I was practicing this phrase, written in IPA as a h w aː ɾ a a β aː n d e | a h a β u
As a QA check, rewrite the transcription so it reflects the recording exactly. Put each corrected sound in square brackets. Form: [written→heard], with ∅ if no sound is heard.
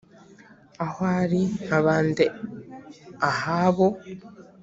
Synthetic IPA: a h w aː ɾ [a→i] a β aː n d e | a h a β [u→o]